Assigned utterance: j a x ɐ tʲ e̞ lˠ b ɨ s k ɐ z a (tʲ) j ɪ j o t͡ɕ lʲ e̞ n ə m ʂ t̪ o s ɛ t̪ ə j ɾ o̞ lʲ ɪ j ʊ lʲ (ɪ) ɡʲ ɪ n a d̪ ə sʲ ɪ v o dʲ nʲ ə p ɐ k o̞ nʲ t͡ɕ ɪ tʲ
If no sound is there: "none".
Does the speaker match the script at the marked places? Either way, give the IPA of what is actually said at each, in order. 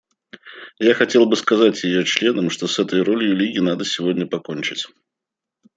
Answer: tʲ, i

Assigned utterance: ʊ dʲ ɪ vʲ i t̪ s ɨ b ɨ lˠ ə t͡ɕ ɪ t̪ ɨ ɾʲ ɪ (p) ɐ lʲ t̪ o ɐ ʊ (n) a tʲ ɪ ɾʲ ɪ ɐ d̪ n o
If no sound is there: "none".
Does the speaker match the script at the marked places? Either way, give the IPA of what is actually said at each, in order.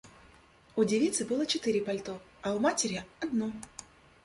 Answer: p, m

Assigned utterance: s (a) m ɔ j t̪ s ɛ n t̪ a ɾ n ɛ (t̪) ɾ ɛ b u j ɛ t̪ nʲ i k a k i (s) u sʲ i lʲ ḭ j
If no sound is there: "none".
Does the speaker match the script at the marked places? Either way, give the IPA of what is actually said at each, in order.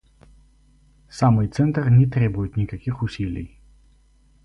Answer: a, t̪, x

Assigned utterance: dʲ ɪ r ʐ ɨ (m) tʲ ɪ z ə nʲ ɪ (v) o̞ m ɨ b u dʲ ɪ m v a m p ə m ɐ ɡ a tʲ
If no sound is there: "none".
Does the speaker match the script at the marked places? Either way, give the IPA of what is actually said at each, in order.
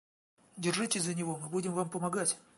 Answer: none, v

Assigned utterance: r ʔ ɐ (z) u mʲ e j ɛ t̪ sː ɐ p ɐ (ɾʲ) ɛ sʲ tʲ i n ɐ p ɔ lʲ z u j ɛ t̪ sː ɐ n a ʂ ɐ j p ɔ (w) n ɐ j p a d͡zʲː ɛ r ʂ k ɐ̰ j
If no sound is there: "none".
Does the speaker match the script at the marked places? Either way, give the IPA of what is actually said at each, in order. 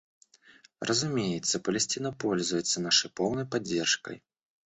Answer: z, lʲ, w

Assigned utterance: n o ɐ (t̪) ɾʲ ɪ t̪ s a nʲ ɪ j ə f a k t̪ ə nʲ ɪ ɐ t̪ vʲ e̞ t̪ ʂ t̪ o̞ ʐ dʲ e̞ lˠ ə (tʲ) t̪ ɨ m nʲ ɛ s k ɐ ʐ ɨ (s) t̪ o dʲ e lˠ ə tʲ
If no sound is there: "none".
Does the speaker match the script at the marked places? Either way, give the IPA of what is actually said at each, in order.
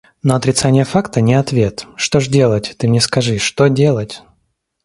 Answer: t̪, tʲ, ʂ

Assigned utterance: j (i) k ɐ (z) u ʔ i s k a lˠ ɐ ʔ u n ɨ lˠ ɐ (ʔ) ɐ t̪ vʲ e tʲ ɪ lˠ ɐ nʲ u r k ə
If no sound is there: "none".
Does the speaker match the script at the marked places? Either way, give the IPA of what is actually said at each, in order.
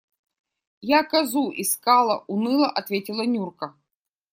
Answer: a, z, ʔ

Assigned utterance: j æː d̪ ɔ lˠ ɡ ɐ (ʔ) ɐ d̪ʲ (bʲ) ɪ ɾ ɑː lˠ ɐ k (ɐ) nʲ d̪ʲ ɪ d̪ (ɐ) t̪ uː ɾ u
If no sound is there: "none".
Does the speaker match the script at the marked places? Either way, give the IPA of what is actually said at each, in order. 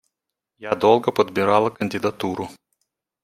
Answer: p, bʲ, ɐ, ɐ

